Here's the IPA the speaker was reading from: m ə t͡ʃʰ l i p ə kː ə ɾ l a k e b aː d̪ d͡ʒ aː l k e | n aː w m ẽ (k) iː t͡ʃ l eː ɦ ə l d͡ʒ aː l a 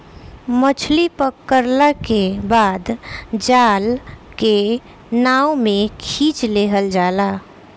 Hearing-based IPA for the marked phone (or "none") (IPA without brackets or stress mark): kʰ